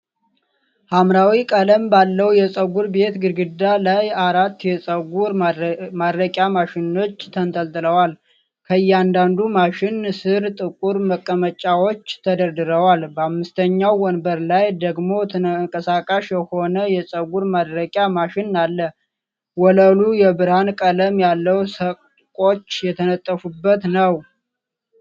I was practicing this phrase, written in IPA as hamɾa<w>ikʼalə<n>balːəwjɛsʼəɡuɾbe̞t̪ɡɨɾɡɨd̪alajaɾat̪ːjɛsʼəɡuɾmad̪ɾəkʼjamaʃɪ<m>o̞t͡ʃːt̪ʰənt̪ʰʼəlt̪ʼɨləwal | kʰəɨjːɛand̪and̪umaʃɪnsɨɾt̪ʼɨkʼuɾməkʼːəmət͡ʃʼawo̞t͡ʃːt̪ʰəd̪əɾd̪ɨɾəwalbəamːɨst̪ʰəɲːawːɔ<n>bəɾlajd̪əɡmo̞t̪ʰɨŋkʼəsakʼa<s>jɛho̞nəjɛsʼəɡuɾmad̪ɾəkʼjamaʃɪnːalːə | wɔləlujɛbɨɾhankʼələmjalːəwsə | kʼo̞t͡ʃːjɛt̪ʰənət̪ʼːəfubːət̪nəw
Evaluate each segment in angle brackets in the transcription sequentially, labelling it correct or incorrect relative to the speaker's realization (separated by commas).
correct, incorrect, incorrect, correct, incorrect